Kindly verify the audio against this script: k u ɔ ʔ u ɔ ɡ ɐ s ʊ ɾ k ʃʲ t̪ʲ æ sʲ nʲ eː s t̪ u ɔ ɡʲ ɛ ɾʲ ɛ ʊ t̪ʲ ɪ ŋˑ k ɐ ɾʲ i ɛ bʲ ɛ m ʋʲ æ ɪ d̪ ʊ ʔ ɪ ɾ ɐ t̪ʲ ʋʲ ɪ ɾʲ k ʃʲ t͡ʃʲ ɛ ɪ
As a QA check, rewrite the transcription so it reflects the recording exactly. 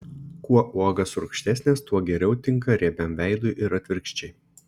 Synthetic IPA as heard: k u ɔ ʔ u ɔ ɡ ɐ s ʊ ɾ k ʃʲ t̪ʲ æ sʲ nʲ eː s t̪ u ɔ ɡʲ ɛ ɾʲ ɛ ʊ t̪ʲ ɪ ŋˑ k ɐ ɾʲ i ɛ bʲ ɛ m ʋʲ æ ɪ d̪ ʊ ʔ ɪ ɾ ɐ t̪ʲ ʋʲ ɪ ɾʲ k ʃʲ t͡ʃʲ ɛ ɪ